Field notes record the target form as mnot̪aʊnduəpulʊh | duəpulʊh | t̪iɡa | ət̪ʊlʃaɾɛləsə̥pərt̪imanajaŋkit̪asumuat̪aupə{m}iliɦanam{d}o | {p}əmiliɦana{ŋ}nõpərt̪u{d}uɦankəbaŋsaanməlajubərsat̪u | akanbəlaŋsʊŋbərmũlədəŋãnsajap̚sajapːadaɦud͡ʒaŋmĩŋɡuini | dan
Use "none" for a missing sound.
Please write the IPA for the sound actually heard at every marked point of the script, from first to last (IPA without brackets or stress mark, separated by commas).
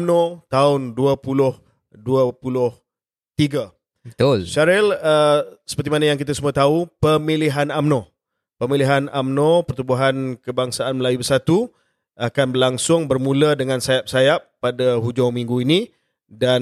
m, n, p, m, b